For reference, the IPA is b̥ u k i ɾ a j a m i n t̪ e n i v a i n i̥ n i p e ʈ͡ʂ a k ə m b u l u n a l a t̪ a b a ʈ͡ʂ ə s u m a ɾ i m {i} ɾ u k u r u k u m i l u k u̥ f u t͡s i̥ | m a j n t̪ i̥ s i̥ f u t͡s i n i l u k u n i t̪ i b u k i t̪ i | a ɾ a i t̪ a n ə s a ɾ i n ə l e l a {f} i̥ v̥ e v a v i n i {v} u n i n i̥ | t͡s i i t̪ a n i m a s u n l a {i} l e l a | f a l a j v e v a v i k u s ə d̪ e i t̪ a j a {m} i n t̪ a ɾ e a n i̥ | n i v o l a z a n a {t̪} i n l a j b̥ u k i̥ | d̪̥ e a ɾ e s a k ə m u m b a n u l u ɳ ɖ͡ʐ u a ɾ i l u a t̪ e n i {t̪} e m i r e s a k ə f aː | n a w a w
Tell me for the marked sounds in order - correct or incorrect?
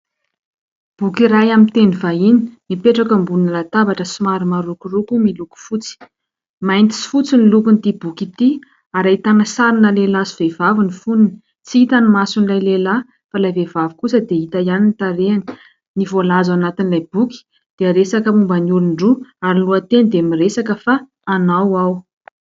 incorrect, incorrect, incorrect, incorrect, incorrect, correct, incorrect

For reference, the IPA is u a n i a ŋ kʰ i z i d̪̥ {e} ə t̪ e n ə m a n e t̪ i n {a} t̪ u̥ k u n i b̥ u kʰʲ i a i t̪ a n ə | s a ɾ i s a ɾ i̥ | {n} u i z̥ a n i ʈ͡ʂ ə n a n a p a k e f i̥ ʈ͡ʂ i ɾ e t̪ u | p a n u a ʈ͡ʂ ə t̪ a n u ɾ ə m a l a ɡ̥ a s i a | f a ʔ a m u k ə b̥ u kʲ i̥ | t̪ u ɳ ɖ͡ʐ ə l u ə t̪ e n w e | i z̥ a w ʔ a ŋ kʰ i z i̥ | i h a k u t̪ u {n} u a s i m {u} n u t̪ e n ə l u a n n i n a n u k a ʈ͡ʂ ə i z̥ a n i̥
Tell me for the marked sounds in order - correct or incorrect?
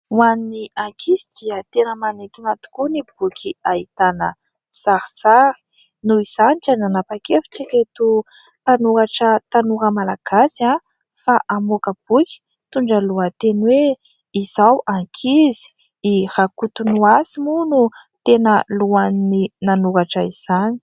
incorrect, correct, correct, correct, correct

